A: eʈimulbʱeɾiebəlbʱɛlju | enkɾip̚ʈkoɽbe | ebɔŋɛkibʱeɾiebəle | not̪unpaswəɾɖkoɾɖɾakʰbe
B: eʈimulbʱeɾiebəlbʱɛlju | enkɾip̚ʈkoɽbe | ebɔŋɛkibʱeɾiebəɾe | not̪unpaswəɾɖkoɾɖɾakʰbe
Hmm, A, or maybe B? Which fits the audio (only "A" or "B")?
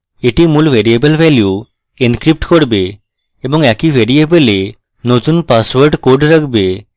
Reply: A